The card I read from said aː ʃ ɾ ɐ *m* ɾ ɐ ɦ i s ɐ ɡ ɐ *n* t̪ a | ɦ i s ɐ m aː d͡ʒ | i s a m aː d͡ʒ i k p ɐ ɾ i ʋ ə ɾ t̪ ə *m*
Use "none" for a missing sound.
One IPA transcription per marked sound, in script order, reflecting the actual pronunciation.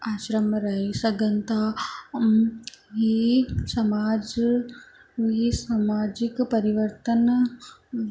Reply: m, n, n

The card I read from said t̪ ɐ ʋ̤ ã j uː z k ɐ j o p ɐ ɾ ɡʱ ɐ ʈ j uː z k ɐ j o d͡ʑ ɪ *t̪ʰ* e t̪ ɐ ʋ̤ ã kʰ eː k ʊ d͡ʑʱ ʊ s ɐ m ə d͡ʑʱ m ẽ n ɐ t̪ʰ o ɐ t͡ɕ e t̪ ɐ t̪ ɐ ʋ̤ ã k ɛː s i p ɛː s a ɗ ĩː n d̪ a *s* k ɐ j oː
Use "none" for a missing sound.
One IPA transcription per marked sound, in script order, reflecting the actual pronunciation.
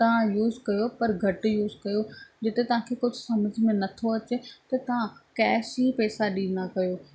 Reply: t̪, none

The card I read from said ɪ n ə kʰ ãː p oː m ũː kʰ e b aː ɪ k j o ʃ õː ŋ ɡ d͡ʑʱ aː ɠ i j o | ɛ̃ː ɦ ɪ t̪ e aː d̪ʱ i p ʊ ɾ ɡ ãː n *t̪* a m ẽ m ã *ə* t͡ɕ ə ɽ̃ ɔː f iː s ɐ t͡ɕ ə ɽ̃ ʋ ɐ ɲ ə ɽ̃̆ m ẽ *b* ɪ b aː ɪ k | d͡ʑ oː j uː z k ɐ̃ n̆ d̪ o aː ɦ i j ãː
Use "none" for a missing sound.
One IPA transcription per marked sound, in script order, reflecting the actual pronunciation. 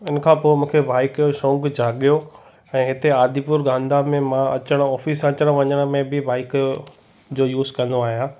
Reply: d̪, ɐ, b

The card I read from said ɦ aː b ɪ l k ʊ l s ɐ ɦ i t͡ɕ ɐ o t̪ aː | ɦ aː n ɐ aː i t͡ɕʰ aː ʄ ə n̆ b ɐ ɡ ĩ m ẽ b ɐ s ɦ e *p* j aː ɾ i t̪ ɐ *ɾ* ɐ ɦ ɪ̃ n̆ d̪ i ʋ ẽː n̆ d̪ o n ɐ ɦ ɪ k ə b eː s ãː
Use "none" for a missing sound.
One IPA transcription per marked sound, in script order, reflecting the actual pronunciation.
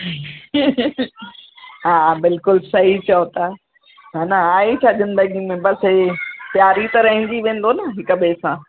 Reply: p, ɾ

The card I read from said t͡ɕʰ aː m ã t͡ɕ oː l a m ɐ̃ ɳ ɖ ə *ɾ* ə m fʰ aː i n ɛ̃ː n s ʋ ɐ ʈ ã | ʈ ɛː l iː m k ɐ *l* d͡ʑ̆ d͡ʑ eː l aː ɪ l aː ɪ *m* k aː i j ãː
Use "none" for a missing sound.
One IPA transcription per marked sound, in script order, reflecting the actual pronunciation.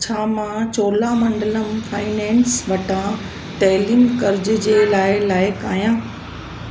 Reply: l, ɾ, none

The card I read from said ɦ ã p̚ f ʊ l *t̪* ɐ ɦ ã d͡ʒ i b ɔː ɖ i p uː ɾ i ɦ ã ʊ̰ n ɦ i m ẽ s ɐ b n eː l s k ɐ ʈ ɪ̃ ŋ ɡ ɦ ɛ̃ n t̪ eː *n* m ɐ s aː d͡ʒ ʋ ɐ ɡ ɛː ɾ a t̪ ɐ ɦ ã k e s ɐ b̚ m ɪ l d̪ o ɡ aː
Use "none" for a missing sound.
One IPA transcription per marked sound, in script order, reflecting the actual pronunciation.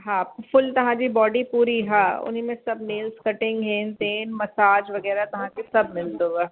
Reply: t̪, n

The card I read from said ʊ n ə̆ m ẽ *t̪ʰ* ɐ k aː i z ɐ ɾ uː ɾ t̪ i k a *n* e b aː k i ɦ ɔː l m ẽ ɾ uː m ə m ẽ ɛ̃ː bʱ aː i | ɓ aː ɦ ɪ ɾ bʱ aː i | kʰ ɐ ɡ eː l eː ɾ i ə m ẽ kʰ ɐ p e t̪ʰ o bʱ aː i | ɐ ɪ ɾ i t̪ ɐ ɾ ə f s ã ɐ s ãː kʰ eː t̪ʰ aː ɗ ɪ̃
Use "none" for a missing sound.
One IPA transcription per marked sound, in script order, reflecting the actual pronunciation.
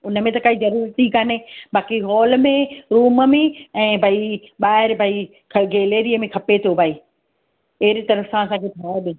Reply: t̪, n

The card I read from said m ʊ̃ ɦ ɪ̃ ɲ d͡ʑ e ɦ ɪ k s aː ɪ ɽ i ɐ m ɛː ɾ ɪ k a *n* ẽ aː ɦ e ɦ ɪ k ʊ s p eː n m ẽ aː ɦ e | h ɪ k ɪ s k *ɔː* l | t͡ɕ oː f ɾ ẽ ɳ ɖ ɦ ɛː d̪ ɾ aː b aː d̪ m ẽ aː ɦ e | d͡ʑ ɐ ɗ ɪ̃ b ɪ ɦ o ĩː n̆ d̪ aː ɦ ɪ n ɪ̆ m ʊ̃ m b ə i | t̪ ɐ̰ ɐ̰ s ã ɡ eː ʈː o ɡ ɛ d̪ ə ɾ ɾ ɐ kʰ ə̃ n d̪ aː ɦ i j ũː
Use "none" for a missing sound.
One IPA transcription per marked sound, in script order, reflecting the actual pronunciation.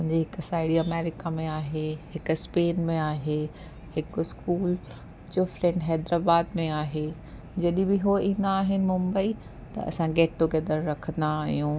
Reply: m, uː

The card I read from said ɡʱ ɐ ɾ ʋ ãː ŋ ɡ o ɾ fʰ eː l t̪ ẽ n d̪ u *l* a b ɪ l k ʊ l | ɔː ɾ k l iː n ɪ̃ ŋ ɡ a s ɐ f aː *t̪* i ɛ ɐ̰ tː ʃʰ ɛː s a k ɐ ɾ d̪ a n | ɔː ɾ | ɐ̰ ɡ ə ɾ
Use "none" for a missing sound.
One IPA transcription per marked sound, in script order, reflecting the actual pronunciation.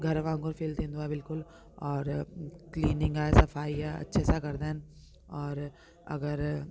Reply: none, none

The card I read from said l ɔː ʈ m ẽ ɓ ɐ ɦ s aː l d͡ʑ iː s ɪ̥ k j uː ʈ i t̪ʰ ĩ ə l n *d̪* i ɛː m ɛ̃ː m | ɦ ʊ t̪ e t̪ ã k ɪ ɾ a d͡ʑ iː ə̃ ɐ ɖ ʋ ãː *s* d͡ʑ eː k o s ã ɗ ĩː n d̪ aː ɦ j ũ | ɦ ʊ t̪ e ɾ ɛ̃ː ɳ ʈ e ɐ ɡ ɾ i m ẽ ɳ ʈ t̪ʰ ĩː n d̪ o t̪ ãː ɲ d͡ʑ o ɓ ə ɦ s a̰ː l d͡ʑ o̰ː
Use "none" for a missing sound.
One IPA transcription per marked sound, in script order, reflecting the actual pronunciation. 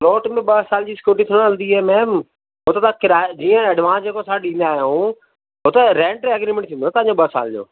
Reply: d̪, s

